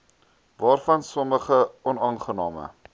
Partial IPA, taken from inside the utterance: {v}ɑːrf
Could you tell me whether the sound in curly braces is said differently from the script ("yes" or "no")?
no